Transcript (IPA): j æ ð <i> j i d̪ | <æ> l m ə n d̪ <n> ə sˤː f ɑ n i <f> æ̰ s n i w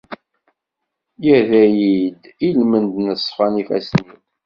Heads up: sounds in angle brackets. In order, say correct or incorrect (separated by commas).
incorrect, incorrect, correct, correct